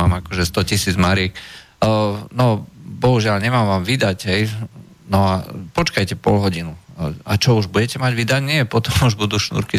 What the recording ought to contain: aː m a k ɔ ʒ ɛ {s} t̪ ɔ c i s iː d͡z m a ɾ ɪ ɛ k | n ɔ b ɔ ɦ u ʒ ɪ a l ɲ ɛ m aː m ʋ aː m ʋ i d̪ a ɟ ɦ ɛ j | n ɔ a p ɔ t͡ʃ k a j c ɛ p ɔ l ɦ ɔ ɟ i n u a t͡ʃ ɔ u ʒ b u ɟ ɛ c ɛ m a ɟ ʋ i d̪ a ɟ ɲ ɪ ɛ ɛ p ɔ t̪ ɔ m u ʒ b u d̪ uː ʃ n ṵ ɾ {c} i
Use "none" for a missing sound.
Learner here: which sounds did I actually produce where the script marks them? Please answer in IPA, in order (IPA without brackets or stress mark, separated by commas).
s, k